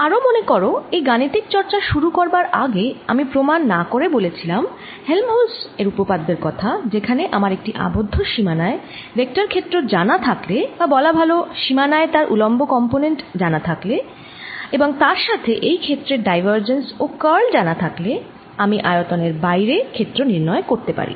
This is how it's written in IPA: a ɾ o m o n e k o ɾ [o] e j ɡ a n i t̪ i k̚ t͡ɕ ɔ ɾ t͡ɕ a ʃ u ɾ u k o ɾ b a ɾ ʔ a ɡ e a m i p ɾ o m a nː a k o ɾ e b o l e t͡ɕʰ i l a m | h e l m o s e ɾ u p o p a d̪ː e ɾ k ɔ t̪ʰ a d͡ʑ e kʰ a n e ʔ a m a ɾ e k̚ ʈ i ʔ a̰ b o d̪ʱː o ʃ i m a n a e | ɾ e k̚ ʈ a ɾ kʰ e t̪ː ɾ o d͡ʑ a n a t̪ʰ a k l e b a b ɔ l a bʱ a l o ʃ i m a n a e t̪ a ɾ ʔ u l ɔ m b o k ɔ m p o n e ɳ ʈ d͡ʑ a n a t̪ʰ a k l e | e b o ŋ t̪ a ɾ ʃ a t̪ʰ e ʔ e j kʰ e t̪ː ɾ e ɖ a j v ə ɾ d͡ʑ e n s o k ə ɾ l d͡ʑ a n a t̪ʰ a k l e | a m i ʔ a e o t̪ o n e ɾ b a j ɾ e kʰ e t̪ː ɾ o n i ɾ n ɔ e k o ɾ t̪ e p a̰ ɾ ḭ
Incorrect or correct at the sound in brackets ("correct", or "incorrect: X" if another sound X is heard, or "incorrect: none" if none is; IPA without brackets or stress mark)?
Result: correct